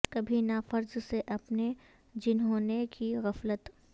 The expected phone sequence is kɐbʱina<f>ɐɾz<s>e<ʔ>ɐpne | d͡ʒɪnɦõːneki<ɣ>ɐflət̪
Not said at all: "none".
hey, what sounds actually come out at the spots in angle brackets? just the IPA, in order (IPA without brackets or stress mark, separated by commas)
f, s, ʔ, ɣ